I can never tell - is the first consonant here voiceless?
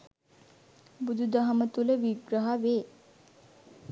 no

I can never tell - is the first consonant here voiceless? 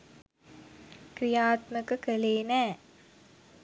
yes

